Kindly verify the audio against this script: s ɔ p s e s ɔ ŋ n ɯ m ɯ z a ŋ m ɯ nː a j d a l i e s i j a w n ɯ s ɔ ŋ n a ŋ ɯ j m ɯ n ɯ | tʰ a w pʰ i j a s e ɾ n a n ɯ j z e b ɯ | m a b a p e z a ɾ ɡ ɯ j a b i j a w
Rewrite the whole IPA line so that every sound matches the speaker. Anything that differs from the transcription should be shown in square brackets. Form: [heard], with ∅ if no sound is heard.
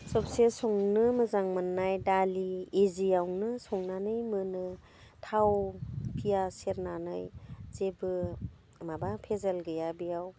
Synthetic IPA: s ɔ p s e s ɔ ŋ n ɯ m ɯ z a ŋ m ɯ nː a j d a l i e [z] i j a w n ɯ s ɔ ŋ n a [n] ɯ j m ɯ n ɯ | tʰ a w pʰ i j a s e ɾ n a n ɯ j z e b ɯ | m a b a [pʰ] e z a [l] ɡ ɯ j a b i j a w